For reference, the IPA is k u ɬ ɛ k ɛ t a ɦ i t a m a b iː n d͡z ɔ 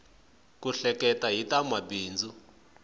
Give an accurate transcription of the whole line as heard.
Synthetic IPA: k u ɬ ɛ k ɛ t a ɦ i t a m a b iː n d͡z u